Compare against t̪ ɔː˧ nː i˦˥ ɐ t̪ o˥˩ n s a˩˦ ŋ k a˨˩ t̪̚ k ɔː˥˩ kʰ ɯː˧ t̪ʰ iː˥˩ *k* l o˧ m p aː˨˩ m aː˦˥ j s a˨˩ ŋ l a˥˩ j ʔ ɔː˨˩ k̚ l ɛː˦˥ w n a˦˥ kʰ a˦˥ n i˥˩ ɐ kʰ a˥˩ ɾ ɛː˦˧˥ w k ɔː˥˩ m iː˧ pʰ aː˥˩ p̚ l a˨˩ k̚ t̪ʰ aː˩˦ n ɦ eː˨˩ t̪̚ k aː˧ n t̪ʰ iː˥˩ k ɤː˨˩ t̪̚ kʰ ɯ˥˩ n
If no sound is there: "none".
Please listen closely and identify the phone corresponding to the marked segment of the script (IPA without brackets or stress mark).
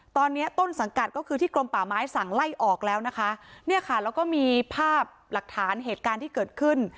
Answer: k